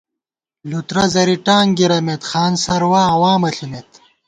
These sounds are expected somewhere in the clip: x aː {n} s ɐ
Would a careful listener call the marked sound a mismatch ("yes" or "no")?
no